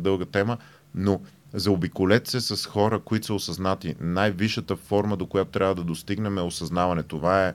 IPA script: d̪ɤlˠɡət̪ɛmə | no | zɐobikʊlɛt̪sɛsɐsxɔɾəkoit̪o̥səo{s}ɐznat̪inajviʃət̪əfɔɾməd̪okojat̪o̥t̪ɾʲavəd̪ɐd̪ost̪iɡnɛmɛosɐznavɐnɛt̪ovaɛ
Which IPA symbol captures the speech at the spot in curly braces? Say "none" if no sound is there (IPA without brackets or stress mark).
s